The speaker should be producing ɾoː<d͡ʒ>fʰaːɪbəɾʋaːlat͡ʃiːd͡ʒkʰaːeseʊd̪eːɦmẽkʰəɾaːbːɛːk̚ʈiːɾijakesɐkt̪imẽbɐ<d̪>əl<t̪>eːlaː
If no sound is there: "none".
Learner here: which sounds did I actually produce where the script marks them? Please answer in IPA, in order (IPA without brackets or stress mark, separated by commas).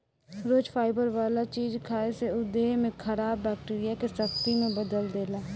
d͡ʒ, d̪, d̪